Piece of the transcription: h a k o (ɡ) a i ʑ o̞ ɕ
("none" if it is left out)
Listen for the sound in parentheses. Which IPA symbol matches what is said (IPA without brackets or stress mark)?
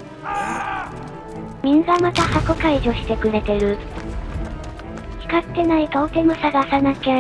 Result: k